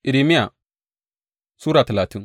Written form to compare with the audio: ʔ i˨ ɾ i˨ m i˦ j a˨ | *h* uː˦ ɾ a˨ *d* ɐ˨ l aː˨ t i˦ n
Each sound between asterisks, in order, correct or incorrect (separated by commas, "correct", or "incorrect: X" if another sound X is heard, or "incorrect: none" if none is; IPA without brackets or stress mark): incorrect: s, incorrect: t